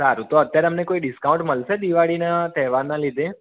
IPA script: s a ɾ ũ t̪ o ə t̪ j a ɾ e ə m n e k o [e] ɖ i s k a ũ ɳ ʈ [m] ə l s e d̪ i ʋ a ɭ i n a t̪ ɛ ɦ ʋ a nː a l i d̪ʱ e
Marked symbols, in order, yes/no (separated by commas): no, yes